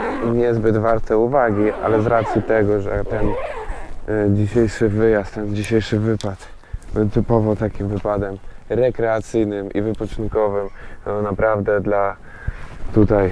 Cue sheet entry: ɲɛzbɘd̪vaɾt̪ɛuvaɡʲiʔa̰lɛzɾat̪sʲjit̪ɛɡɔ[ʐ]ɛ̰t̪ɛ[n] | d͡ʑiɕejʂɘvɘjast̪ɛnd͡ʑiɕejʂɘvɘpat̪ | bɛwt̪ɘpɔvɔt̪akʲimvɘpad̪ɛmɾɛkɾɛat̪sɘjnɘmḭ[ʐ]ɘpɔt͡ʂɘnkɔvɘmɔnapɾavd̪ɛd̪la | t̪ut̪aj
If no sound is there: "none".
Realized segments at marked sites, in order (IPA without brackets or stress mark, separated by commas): ʐ, n, v